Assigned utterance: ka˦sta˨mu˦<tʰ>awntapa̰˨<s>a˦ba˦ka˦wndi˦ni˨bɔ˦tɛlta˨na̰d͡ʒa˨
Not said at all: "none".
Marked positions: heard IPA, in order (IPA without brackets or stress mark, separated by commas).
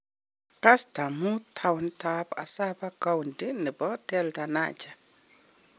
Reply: tʰ, s